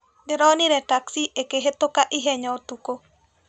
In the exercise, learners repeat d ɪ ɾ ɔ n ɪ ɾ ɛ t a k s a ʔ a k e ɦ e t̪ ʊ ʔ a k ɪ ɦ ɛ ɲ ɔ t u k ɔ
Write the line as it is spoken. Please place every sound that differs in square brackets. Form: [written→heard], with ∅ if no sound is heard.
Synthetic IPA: d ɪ ɾ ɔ n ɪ ɾ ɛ t a k s [a→i] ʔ [a→e] k e ɦ e t̪ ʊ [ʔ→k] a [k→ʔ] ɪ ɦ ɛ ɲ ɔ t u k [ɔ→o]